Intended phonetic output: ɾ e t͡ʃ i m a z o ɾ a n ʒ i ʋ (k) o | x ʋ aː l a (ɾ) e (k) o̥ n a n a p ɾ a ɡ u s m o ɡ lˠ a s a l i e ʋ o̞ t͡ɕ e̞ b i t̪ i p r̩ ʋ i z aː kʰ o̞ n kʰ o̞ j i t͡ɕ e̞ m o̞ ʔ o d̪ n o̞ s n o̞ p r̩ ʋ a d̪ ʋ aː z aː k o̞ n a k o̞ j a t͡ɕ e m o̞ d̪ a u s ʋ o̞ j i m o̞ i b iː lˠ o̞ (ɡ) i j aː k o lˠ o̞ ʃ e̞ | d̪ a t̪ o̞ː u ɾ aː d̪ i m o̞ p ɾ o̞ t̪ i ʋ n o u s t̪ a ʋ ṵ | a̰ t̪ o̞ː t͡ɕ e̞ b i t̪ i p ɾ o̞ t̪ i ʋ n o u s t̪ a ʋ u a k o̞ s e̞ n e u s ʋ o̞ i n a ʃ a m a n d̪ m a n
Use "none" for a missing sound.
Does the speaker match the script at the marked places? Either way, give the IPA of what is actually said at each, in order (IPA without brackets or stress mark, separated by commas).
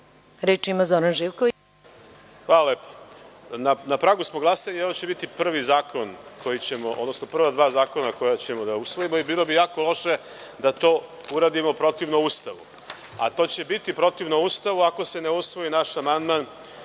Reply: k, l, p, b